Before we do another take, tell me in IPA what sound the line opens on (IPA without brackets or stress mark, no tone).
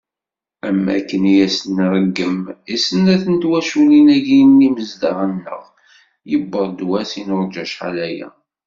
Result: æ